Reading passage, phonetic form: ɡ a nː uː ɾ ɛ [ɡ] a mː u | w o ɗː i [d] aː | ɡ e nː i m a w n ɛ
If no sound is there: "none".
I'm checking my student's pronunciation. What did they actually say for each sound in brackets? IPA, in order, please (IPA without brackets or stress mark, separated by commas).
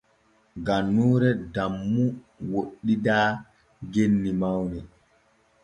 d, d